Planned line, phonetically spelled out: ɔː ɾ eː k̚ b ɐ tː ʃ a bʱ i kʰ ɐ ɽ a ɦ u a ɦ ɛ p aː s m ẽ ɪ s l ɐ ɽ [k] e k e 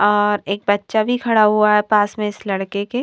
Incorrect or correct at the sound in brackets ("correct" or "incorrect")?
correct